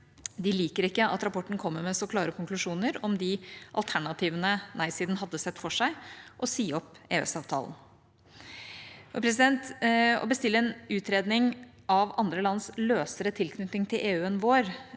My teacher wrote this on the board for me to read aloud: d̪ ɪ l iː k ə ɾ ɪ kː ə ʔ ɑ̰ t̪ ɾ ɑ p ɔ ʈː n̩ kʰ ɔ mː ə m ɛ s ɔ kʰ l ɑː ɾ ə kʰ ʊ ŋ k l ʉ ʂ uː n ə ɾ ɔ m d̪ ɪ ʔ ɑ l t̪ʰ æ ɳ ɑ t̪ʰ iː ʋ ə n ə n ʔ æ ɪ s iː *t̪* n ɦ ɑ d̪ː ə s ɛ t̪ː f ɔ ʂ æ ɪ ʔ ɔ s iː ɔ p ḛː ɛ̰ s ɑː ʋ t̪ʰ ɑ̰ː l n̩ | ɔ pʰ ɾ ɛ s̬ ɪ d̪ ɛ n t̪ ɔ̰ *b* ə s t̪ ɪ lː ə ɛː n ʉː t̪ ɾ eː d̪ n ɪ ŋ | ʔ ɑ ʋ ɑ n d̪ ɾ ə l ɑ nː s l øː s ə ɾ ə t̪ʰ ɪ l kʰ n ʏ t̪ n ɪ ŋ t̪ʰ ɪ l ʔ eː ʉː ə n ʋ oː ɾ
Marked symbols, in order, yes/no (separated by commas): no, yes